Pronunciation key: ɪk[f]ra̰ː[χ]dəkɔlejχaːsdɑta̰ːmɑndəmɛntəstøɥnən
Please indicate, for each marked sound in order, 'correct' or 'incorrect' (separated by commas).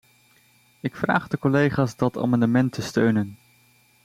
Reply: correct, correct